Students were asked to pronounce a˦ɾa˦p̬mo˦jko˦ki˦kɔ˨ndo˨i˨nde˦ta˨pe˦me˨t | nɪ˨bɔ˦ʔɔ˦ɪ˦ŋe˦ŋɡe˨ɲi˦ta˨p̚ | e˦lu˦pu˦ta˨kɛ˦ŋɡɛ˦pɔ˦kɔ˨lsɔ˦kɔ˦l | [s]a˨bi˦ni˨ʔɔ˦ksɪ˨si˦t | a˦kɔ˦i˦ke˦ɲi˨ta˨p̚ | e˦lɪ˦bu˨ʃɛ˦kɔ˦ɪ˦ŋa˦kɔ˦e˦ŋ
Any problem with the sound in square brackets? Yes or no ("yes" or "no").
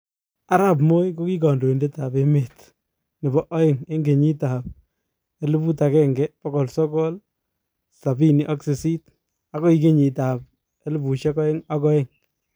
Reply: no